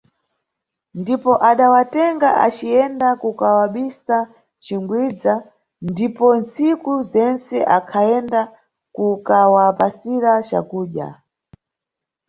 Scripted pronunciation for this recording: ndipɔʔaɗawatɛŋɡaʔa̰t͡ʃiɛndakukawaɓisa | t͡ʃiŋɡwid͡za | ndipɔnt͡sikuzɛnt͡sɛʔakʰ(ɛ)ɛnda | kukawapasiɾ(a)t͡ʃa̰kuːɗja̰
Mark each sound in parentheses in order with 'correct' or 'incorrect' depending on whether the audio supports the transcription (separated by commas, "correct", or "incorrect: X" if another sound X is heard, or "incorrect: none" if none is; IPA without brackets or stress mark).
incorrect: a, correct